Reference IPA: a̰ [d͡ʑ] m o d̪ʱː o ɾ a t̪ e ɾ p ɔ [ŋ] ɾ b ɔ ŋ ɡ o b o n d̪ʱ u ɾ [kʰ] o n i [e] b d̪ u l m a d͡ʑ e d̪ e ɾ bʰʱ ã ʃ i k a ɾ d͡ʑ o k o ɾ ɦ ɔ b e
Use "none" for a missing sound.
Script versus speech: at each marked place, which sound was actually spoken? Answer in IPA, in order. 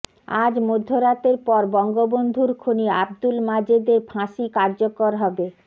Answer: d͡ʑ, none, kʰ, a

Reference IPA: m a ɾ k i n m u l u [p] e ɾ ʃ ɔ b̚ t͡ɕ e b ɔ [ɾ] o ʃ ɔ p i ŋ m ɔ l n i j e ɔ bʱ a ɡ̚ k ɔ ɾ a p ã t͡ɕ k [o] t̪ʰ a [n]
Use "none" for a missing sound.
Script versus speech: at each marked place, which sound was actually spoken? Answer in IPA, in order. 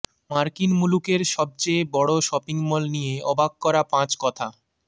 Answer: k, ɽ, ɔ, none

